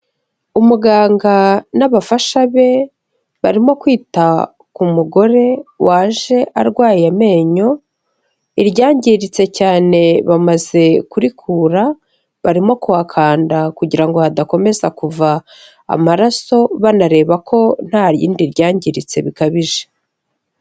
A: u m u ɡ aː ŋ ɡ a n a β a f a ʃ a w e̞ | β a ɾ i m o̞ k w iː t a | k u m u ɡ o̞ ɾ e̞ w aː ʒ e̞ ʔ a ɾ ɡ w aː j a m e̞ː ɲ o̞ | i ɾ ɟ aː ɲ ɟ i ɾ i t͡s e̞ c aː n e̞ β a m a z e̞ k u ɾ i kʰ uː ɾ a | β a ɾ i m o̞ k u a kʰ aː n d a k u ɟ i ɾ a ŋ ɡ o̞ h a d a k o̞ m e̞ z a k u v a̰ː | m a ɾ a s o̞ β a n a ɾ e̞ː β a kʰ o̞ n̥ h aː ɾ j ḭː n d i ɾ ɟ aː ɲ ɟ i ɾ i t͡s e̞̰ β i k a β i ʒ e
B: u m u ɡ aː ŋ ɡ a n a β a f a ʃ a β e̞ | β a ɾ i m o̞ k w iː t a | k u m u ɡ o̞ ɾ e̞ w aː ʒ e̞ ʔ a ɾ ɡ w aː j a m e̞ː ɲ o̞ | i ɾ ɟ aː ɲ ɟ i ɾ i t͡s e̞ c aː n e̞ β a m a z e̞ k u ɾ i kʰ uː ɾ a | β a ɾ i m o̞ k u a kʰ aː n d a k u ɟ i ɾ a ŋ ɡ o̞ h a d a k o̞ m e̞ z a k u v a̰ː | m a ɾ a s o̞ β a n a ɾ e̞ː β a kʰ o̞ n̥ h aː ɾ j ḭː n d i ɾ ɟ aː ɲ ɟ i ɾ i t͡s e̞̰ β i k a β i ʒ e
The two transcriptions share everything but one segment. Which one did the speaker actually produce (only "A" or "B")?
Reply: B